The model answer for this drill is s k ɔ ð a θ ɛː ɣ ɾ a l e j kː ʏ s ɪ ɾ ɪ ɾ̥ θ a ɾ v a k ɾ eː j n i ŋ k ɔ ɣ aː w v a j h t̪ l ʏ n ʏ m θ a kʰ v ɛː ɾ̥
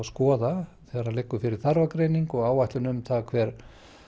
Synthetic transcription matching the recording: s k ɔː ð a θ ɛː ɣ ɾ a l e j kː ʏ f ɪ ɾ ɪ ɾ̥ θ a ɾ v a k ɾ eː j n i ŋ k ɔ ɣ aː w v a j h t̪ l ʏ n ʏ m θ a kʰ v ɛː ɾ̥